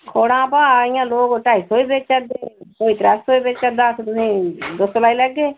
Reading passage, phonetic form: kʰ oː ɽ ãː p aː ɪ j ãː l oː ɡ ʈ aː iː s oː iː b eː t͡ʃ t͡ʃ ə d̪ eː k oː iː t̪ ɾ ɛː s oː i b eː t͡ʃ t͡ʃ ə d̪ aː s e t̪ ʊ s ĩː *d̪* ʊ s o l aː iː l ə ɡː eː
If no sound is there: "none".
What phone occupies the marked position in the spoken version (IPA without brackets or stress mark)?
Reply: d̪